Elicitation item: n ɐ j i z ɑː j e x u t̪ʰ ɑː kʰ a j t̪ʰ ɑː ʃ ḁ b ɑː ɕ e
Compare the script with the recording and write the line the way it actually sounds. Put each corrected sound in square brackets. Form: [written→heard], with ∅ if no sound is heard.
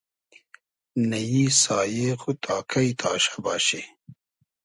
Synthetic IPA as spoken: n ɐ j i [z→s] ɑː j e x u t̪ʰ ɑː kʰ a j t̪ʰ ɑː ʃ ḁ b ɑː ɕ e